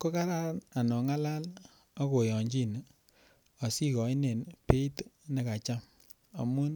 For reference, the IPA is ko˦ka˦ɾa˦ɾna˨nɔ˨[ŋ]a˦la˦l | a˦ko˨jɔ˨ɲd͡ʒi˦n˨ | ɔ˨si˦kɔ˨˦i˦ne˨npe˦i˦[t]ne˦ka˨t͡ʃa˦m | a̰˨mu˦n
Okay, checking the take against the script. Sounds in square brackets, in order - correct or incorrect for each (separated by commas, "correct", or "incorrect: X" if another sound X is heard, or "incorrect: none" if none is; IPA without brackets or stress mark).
correct, correct